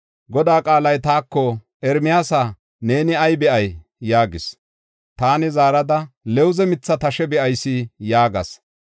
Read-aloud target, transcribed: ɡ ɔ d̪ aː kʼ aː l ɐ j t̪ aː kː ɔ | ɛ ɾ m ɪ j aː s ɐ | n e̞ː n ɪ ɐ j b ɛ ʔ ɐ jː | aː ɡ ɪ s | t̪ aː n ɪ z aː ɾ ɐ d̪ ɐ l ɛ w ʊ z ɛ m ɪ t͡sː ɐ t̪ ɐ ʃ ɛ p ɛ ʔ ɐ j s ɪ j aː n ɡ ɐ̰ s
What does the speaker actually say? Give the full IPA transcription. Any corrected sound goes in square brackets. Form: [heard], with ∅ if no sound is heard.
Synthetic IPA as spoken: ɡ ɔ d̪ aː kʼ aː l ɐ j t̪ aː kː ɔ | ɛ ɾ m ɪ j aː s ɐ | n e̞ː n ɪ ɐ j b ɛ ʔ ɐ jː | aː ɡ ɪ s | t̪ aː n ɪ z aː ɾ ɐ d̪ ɐ l ɛ w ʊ z ɛ m ɪ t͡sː ɐ t̪ ɐ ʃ ɛ [b] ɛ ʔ ɐ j s ɪ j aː [∅] ɡ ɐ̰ s